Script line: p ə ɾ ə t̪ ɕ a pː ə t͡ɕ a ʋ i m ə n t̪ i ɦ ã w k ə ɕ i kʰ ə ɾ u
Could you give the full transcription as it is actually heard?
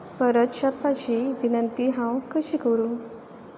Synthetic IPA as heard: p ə ɾ ə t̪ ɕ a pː a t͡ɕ i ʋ i n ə n t̪ i ɦ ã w k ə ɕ i k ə ɾ u